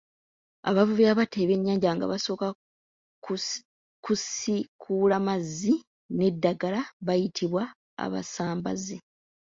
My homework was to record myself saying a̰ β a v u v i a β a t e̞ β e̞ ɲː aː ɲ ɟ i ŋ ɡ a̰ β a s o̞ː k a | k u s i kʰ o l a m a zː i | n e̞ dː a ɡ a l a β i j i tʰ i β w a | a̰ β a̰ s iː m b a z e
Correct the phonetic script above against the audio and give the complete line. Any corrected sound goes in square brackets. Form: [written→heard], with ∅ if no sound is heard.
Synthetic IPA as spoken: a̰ β a v u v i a β a t e̞ β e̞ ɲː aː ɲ ɟ [i→a] ŋ ɡ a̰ β a s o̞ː k a | k u s i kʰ [o→u] l a m a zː i | n e̞ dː a ɡ a l a β [i→a] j i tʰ i β w a | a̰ β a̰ s [iː→aː] m b a z e